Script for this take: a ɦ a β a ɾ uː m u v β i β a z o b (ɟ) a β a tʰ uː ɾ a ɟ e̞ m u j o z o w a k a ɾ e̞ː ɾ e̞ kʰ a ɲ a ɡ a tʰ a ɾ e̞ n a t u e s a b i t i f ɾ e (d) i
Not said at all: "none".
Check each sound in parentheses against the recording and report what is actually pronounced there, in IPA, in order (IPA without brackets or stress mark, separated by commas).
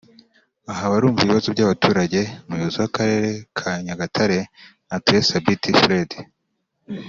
ɟ, d